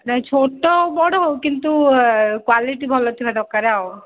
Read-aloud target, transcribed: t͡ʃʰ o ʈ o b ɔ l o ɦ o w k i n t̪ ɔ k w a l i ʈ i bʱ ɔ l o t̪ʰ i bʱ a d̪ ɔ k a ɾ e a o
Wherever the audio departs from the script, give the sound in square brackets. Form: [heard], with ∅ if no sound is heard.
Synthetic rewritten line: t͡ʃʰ o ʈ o b ɔ [ɽ] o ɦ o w k i n t̪ [u] k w a l i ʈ i bʱ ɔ l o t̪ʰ i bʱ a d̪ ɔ k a ɾ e a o